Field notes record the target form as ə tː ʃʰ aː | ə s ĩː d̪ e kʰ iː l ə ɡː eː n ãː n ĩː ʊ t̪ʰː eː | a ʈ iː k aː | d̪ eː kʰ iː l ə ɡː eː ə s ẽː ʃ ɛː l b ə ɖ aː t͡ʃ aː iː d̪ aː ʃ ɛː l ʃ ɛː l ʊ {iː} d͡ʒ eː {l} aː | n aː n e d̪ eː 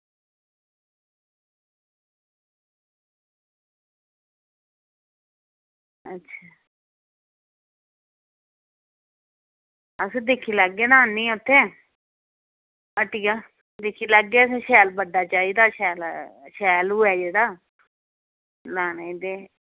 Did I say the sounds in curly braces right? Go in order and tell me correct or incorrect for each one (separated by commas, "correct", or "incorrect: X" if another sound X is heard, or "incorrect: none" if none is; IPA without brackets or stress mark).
incorrect: ɛː, incorrect: ɽ